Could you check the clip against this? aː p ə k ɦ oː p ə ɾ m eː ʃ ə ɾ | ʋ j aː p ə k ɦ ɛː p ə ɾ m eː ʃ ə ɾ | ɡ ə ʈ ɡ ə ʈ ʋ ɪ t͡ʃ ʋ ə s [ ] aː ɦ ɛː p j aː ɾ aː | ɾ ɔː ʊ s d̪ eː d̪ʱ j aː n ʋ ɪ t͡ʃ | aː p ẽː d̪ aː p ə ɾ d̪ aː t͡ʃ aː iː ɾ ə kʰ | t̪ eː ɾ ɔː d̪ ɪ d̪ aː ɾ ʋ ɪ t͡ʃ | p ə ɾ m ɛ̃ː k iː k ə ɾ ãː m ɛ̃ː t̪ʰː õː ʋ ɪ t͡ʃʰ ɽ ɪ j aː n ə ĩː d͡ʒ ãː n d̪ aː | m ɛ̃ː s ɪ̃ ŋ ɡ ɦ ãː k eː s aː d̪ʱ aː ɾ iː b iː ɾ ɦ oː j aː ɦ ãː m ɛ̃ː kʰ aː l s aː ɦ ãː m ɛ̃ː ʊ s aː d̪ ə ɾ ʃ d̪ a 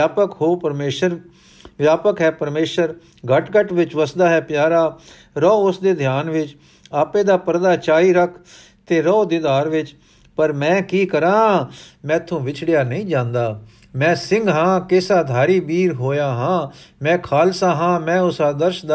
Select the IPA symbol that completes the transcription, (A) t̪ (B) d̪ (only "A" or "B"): B